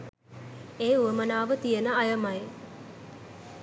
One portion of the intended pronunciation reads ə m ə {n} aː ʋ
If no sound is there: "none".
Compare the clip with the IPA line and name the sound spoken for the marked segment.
n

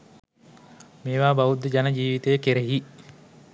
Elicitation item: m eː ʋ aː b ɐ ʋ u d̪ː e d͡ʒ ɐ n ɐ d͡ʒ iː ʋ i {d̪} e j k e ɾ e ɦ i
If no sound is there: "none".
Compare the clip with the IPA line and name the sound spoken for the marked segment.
t̪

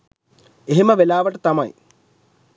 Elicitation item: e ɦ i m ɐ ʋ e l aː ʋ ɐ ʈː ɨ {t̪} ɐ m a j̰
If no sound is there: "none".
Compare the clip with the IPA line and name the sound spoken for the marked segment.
t̪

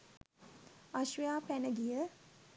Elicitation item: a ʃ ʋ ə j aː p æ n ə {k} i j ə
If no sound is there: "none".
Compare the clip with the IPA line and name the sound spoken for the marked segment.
ɡ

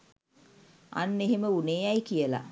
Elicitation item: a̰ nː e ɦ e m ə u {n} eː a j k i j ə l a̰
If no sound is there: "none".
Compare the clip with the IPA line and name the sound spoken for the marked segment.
n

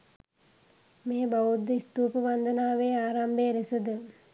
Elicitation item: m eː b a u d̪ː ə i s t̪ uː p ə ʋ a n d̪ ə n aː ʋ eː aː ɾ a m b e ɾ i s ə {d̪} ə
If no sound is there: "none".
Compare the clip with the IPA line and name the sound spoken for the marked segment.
d̪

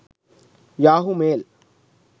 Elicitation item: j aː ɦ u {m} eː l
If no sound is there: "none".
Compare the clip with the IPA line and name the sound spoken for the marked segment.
m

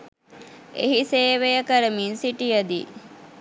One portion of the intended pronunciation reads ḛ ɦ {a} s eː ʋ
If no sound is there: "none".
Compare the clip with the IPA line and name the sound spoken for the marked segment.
i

